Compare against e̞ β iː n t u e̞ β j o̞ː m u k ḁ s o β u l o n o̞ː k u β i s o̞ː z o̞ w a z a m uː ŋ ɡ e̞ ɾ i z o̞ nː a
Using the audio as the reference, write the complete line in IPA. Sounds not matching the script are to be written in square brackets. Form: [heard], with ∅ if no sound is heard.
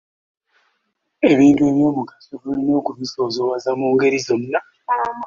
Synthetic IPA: e̞ β iː n t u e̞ β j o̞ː m u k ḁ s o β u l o n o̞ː k u β i s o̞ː z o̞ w a z a m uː ŋ ɡ e̞ ɾ i z o̞ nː a